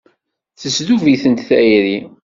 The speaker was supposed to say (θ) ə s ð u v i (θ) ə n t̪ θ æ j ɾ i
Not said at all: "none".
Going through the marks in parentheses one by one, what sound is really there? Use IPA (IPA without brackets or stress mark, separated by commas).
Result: θ, θ